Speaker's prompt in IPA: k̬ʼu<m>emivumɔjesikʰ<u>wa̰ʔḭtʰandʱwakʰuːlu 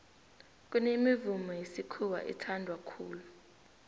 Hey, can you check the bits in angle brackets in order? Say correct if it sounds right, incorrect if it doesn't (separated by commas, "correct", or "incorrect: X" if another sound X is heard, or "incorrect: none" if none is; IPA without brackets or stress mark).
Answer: incorrect: n, correct